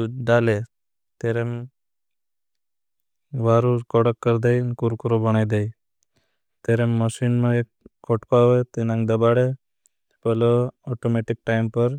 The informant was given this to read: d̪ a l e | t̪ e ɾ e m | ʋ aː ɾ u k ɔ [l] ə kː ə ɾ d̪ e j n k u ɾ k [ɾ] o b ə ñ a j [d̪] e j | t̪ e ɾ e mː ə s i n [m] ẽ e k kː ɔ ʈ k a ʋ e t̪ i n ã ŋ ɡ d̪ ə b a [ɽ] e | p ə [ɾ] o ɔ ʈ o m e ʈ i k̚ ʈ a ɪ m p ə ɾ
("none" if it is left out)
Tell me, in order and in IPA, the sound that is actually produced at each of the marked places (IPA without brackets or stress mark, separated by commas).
ɽ, ɾ, d̪, m, ɽ, l